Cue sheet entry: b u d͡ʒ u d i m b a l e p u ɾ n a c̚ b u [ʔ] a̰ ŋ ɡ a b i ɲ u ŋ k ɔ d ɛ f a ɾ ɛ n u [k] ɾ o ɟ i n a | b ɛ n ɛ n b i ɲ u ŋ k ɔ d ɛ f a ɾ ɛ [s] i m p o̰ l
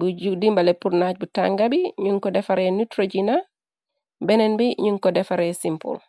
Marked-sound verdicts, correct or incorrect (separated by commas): incorrect, incorrect, correct